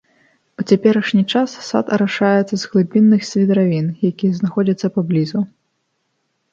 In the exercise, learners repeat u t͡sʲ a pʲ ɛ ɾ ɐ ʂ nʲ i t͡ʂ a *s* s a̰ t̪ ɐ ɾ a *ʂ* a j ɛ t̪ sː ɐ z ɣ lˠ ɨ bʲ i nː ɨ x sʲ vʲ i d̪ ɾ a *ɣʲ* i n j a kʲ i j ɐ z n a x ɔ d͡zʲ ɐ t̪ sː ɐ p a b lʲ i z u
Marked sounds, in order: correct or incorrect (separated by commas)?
correct, correct, incorrect